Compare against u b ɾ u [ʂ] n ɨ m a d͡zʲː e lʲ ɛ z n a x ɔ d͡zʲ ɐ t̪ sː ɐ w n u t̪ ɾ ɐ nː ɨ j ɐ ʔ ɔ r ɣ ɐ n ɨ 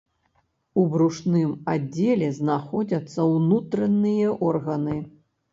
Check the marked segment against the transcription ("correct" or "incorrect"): correct